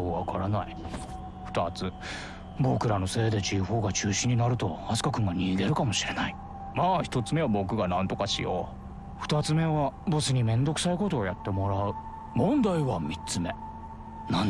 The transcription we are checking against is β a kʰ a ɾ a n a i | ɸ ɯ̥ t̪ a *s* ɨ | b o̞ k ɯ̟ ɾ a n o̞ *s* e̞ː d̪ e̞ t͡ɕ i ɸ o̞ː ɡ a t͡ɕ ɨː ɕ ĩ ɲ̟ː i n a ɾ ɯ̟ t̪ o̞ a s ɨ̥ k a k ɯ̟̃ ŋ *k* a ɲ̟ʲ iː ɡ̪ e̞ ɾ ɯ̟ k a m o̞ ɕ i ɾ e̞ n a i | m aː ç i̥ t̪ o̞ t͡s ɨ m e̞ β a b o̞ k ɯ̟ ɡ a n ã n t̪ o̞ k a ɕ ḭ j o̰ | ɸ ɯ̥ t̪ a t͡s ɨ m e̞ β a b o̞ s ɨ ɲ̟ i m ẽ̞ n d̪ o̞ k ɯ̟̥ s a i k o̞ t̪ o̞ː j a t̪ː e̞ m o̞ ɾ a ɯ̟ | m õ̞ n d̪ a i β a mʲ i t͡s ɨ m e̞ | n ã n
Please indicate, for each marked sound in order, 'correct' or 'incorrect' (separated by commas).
incorrect, correct, incorrect